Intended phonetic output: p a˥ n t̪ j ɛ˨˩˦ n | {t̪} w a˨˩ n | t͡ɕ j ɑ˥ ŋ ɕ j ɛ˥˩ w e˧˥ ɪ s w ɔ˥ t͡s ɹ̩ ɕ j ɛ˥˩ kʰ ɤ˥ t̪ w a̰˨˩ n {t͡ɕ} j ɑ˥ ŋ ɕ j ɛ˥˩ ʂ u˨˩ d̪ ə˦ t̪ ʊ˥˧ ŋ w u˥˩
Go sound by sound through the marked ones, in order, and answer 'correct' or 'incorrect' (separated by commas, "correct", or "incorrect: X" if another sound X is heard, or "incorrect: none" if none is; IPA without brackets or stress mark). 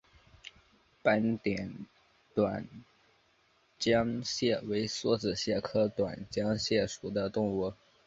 correct, correct